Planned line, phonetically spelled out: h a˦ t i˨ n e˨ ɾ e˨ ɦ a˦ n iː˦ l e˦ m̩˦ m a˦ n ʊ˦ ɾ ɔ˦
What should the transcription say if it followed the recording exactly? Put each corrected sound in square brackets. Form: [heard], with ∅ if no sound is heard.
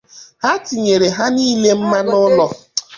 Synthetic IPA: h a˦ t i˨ [ɲ] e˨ ɾ e˨ ɦ a˦ n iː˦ l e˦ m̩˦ m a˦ n ʊ˦ [l] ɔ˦